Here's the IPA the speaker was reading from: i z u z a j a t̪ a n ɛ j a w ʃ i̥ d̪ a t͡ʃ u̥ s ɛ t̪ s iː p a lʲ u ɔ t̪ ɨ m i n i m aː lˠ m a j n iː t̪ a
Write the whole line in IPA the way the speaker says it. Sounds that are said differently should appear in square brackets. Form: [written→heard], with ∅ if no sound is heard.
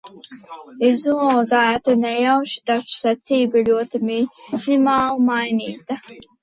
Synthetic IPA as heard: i z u z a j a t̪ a n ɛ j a w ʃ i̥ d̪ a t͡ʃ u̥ s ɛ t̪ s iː [p→b] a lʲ u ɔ t̪ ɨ m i n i m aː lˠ m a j n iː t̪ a

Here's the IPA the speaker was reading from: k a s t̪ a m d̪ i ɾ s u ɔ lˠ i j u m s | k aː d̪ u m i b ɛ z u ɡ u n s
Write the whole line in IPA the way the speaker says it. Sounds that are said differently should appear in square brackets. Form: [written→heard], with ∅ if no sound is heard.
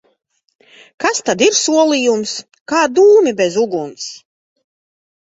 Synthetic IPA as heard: k a s t̪ a [m→∅] d̪ i ɾ s u ɔ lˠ i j u m s | k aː d̪ [u→uː] m i b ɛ z u ɡ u n s

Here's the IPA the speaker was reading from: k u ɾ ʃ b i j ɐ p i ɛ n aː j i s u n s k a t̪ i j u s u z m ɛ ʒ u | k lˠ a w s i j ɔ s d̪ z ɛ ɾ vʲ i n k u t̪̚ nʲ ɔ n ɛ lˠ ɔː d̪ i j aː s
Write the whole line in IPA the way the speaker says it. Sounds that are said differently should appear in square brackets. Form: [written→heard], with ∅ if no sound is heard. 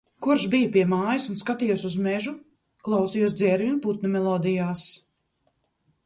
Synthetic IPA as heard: k u ɾ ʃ b i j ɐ p i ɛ [n→m] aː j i s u n s k a t̪ i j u s u z m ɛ ʒ u | k lˠ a w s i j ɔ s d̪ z ɛ ɾ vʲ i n [k→p] u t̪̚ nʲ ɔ [n→m] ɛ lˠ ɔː d̪ i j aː s

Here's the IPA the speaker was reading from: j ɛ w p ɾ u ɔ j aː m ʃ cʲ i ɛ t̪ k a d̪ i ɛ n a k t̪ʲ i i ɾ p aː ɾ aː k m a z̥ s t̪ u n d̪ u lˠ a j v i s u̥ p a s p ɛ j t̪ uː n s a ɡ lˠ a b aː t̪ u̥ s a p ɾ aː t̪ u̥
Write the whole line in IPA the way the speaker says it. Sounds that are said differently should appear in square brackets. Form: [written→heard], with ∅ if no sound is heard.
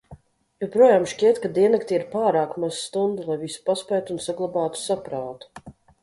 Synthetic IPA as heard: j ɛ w p ɾ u ɔ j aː m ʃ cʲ i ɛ t̪ k a d̪ i ɛ n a k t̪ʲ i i ɾ p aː ɾ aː k m a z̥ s t̪ u n d̪ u lˠ a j v i s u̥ p a s p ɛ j t̪ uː n s a ɡ lˠ a b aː t̪ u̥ s a p ɾ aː t̪ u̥

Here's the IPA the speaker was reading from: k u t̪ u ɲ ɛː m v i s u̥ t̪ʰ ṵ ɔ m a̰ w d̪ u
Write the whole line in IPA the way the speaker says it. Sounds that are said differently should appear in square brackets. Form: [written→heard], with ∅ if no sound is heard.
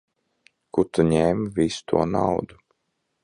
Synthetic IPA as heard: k u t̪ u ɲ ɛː m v i s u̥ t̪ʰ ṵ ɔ [m→n] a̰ w d̪ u

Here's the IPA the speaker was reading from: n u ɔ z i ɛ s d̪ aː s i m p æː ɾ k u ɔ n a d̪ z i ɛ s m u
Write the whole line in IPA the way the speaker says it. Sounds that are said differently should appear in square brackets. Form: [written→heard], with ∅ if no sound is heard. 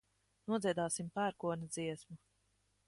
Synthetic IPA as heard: n u ɔ z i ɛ [s→∅] d̪ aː s i m p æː ɾ k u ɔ n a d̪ z i ɛ s m u

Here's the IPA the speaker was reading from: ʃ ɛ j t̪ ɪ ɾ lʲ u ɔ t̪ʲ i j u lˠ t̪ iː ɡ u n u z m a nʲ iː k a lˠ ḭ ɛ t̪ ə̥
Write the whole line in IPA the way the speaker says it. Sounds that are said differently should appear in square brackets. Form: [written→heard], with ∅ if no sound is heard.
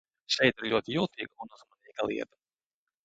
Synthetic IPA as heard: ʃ ɛ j t̪ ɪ ɾ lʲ u ɔ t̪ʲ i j u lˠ t̪ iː ɡ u n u z m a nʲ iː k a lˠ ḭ ɛ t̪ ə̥

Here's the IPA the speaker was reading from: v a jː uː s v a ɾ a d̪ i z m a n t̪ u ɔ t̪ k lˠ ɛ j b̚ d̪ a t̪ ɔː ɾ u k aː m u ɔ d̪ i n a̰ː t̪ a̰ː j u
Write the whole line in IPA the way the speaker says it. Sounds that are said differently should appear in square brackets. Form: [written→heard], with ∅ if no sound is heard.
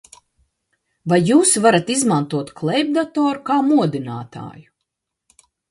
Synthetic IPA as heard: v a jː uː s v a ɾ a [d̪→t̪] i z m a n t̪ u ɔ t̪ k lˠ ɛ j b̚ d̪ a t̪ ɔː ɾ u k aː m u ɔ d̪ i n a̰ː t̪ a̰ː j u

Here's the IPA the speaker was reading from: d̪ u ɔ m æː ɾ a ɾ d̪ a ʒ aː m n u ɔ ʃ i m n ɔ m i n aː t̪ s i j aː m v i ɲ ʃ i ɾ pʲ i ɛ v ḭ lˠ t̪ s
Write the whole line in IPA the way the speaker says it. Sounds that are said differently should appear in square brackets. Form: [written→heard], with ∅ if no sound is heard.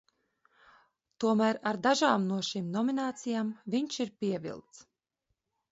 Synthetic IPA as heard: [d̪→t̪] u ɔ m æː ɾ a ɾ d̪ a ʒ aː m n u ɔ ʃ i m n ɔ m i n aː t̪ s i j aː m v i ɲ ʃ i ɾ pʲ i ɛ v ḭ lˠ t̪ s

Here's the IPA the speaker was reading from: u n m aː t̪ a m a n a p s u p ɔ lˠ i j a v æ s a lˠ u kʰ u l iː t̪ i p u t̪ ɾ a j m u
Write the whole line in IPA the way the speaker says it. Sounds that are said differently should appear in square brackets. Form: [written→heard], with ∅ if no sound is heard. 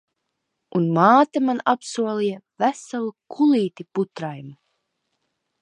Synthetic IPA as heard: u n m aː t̪ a m a n a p s u [p→∅] ɔ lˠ i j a v æ s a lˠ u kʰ u l iː t̪ i p u t̪ ɾ a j m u

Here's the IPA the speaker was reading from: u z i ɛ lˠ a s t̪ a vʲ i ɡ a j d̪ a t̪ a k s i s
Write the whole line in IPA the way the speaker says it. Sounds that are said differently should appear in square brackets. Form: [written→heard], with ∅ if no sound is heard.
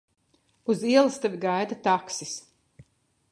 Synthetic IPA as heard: u z i ɛ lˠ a s t̪ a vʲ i ɡ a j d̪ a t̪ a k s i s

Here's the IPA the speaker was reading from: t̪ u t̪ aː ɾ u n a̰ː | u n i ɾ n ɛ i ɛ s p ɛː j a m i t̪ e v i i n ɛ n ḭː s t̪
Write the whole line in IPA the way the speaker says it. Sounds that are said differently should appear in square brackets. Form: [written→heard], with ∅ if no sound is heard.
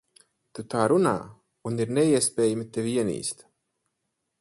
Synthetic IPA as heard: t̪ u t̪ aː ɾ u n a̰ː | u n i ɾ n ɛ i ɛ s p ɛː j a m i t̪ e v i i [n→∅] ɛ n ḭː s t̪

